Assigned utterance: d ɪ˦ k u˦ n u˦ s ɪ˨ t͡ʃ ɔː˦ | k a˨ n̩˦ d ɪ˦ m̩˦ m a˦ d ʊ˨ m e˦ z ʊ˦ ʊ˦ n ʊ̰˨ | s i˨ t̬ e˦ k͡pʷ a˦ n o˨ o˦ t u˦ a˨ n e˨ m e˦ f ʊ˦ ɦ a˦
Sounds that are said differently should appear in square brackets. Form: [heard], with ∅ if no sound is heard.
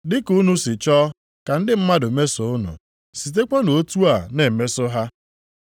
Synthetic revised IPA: d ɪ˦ k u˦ n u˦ s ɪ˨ t͡ʃ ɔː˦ | k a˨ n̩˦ d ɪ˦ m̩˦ m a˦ d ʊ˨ m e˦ [s] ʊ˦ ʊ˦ n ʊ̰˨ | s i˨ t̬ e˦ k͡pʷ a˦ n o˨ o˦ t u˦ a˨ n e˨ m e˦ [s] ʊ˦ ɦ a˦